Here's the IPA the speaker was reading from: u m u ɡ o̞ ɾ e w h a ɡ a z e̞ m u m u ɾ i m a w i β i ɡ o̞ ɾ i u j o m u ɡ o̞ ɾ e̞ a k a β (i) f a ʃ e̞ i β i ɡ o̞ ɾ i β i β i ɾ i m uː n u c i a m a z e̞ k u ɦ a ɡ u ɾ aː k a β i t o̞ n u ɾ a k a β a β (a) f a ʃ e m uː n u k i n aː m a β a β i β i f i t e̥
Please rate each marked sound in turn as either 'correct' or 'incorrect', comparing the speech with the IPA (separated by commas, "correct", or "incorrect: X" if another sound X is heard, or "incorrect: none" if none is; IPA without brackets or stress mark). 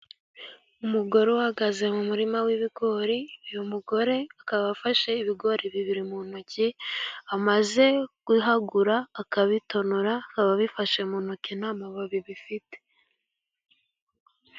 incorrect: a, incorrect: i